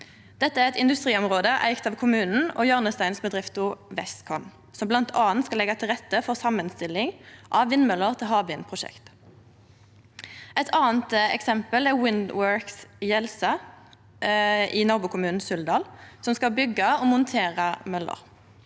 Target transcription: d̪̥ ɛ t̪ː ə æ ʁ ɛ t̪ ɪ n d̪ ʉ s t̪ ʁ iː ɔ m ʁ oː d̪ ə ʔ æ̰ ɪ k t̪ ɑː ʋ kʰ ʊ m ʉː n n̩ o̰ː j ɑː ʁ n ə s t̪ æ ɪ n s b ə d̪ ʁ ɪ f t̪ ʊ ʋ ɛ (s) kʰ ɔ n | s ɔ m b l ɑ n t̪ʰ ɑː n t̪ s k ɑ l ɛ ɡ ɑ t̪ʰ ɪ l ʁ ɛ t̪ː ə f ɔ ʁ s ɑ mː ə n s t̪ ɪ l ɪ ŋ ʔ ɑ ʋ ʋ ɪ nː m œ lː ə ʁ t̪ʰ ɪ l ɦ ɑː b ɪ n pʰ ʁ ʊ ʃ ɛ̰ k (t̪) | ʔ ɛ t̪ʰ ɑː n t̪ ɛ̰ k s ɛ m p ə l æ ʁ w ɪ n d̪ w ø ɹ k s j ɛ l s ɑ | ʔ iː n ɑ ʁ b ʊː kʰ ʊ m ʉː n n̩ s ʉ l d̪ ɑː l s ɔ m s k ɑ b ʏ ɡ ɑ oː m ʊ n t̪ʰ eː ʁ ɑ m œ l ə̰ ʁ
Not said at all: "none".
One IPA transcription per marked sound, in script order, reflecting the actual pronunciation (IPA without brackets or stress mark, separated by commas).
s, t̪